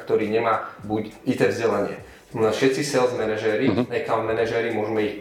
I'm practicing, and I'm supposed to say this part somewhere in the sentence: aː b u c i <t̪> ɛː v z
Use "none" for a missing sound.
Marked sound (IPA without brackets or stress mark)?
t̪